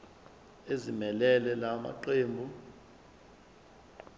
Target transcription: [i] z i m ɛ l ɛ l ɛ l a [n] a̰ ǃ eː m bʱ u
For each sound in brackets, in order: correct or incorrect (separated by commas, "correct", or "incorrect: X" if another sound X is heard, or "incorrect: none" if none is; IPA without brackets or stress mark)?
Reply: incorrect: e, incorrect: m